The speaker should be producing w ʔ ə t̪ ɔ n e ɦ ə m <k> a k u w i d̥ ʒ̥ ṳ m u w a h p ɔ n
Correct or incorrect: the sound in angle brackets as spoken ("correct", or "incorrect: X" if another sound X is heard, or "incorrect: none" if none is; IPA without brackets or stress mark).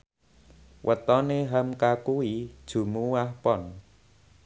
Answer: correct